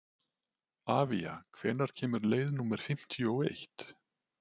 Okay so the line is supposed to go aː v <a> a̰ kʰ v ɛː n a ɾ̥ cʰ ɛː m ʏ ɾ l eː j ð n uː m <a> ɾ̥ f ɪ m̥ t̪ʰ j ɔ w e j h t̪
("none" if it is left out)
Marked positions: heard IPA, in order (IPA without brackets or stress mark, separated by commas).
i, ɛ